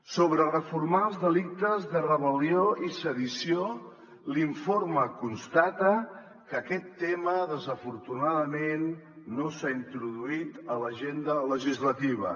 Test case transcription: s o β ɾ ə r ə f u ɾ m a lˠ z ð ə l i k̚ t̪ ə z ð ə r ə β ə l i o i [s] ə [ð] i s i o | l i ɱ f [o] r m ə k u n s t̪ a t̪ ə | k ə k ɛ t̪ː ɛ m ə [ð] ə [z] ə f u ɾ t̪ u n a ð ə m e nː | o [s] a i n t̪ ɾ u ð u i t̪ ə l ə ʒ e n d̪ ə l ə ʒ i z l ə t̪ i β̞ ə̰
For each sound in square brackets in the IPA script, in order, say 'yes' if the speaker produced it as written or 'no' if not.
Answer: yes, yes, yes, yes, yes, yes

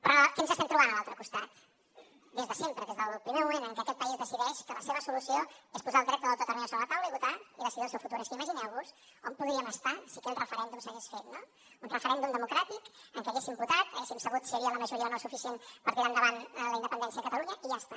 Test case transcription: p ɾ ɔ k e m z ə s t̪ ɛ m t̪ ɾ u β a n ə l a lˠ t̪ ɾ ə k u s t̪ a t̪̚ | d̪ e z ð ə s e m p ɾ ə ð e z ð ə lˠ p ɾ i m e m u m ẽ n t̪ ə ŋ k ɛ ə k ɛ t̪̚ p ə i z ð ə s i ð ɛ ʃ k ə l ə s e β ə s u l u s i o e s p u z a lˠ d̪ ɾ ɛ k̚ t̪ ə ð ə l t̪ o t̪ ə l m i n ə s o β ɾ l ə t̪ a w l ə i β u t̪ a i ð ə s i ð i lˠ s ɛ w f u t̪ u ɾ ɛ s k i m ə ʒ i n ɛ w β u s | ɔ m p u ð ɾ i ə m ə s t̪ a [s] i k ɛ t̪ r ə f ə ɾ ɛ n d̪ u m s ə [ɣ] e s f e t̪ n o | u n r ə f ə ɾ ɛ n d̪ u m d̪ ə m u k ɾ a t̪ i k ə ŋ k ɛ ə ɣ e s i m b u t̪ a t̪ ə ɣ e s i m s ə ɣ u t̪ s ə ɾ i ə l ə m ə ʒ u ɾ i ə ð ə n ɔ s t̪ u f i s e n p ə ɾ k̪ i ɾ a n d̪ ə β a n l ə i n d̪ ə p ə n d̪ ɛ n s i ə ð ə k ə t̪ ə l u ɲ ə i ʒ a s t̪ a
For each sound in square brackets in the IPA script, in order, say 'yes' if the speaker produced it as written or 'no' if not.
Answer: yes, yes

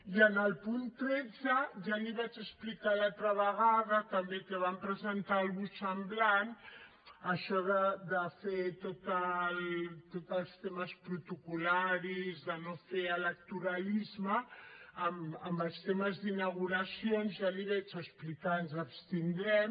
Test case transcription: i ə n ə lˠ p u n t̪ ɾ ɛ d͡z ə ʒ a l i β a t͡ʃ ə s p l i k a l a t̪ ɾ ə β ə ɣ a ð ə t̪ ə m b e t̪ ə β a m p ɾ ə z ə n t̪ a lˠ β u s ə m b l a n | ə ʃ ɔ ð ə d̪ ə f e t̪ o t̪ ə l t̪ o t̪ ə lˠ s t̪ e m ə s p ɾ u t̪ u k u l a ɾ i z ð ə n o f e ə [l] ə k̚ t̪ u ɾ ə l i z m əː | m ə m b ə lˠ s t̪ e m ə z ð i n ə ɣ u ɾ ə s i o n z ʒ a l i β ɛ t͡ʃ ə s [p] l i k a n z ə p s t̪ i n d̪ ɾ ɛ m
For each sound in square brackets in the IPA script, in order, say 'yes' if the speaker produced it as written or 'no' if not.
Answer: yes, yes

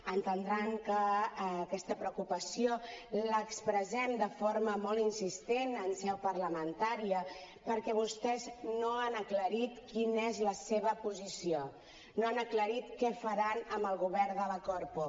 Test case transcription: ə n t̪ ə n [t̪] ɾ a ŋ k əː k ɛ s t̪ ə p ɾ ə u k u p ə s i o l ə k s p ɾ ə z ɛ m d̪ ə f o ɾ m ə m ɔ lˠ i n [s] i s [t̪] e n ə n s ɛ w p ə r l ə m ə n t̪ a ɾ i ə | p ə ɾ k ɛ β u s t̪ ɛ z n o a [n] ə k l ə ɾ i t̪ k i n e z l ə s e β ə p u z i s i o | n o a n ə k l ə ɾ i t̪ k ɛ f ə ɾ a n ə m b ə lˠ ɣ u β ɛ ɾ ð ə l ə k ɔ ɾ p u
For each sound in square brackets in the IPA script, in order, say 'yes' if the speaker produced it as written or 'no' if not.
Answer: no, yes, yes, yes

